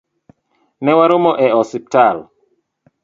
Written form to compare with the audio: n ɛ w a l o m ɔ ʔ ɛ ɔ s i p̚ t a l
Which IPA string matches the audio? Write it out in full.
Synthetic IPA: n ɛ w a ɾ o m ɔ ʔ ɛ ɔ s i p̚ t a l